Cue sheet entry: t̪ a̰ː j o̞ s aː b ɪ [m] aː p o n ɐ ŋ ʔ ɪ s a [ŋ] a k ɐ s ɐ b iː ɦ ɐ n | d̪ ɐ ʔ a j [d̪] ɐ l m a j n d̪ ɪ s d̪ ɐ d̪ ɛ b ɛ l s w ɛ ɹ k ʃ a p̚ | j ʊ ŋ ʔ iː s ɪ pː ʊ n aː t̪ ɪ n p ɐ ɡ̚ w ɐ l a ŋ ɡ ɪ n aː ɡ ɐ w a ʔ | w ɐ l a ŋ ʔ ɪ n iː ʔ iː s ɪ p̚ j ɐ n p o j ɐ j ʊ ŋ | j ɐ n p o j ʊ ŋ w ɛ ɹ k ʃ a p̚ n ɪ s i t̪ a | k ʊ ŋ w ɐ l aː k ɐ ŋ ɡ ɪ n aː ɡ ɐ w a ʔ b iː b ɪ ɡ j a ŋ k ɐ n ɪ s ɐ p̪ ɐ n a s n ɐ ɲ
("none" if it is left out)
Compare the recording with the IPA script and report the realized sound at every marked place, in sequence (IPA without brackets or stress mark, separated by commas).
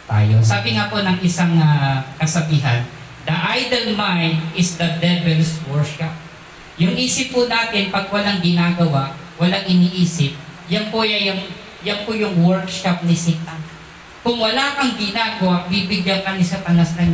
ŋ, ŋ, d̪